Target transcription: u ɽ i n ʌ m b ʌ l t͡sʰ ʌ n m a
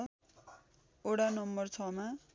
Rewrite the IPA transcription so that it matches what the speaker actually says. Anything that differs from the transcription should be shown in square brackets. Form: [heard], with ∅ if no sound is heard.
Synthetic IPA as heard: [o] ɽ [a] n ʌ m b ʌ [r] t͡sʰ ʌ [∅] m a